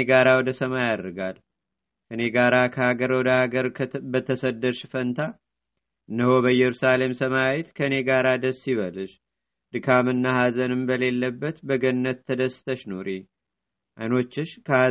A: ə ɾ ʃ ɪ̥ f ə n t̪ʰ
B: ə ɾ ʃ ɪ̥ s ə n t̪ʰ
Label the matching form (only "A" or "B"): A